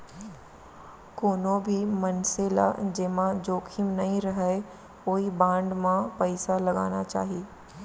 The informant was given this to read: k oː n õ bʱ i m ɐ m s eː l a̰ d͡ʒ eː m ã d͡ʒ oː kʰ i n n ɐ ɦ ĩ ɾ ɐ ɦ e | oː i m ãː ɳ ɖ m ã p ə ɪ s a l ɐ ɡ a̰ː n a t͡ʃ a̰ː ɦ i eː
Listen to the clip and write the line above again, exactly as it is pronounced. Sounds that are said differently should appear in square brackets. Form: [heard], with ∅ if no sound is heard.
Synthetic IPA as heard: k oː n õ bʱ i m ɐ [n] s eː l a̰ d͡ʒ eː m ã d͡ʒ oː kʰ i [m] n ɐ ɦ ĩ ɾ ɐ ɦ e | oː i [b] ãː ɳ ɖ m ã p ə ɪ s a l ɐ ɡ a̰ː n a t͡ʃ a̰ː ɦ i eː